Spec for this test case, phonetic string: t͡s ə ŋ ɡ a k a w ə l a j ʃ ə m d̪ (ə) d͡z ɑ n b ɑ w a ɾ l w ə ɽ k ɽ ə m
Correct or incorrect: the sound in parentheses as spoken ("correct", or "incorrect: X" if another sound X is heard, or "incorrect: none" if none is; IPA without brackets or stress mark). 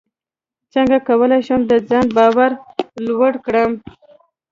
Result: correct